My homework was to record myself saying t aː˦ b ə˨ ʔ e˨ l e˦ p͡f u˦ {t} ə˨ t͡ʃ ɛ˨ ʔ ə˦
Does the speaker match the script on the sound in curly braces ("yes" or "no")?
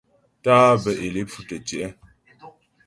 yes